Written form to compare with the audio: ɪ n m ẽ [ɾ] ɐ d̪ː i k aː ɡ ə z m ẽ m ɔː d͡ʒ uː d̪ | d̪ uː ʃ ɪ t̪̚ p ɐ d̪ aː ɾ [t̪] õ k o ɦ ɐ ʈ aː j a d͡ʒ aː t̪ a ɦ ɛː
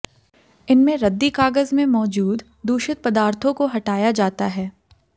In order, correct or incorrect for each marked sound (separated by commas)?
correct, incorrect